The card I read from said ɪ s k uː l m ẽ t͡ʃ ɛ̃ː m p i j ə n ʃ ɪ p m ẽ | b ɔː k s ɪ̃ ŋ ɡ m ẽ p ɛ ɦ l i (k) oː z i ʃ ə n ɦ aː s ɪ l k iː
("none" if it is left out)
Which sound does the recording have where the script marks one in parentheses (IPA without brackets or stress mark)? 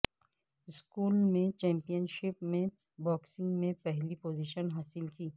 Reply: p